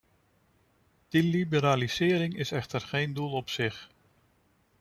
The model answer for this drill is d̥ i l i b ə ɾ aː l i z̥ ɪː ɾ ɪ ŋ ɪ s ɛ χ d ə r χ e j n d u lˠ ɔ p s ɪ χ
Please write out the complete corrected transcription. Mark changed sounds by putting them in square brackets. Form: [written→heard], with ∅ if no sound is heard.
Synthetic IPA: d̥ i l i b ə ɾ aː l i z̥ ɪː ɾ ɪ ŋ ɪ s ɛ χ [d→t] ə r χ e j n d u lˠ ɔ p s ɪ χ